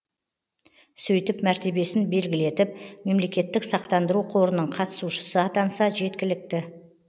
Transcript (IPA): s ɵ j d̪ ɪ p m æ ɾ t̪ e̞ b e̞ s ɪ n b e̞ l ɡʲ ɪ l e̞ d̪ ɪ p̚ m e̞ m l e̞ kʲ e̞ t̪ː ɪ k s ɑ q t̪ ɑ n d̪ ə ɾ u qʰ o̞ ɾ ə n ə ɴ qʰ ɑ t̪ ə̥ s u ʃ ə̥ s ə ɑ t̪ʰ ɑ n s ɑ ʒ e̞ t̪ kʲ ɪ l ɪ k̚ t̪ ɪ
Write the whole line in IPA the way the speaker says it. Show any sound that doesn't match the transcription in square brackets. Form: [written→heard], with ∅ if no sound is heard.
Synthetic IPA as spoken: s ɵ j [d̪→t̪] ɪ p m æ ɾ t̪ e̞ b e̞ s ɪ n b e̞ l ɡʲ ɪ l e̞ [d̪→t̪] ɪ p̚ m e̞ m l e̞ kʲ e̞ t̪ː ɪ k s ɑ q t̪ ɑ n d̪ ə ɾ u qʰ o̞ ɾ ə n ə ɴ qʰ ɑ t̪ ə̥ s u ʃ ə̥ s ə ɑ [t̪ʰ→t̪] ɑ n s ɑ ʒ e̞ t̪ kʲ ɪ l ɪ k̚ t̪ ɪ